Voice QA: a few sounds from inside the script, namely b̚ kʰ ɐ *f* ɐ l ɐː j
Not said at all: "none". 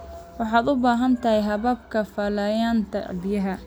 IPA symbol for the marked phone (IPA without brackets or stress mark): f